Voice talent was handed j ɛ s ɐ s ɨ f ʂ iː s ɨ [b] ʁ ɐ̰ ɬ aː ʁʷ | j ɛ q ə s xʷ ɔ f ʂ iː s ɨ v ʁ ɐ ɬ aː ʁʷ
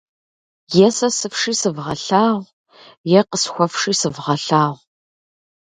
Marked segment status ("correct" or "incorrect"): incorrect